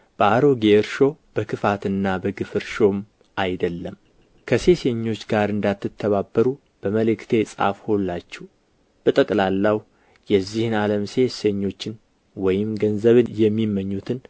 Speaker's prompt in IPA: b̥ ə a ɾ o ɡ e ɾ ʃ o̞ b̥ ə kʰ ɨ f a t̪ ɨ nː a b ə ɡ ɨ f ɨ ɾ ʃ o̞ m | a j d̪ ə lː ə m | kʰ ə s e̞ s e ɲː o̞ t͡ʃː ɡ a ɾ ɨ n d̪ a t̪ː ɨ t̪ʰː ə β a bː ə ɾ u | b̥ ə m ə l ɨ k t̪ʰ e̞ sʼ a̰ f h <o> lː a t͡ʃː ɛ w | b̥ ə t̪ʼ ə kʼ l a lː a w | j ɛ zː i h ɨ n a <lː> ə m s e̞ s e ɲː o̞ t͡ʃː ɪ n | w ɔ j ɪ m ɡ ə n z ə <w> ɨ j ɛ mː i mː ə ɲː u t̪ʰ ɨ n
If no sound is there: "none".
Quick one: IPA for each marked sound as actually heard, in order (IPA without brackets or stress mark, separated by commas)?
o, l, β